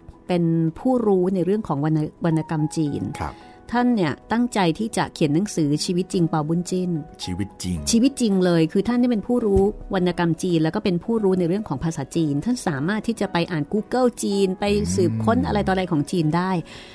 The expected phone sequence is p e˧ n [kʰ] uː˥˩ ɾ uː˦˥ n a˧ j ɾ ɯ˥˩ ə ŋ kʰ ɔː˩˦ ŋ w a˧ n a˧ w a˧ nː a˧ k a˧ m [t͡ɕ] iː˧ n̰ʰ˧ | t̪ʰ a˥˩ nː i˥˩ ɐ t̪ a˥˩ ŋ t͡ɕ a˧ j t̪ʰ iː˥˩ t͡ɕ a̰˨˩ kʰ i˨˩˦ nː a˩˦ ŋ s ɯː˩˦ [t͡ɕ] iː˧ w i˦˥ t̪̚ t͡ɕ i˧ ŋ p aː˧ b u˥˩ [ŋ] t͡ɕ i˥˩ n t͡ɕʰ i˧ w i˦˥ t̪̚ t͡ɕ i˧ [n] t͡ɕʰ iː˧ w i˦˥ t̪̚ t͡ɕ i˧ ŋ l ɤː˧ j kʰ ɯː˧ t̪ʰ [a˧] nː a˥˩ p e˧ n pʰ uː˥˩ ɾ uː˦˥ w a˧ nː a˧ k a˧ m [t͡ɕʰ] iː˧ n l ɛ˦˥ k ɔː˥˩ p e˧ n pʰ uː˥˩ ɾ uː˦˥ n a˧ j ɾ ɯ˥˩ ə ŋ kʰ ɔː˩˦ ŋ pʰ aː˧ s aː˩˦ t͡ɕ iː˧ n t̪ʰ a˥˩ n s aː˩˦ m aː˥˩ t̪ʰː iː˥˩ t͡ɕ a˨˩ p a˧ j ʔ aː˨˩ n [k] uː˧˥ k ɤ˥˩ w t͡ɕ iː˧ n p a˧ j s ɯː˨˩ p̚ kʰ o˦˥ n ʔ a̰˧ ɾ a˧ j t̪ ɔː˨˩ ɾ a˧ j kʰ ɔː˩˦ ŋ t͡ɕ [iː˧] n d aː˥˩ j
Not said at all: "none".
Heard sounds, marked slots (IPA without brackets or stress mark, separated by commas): pʰ, t͡ɕ, t͡ɕʰ, n, ŋ, a˥˩, t͡ɕ, k, iː˧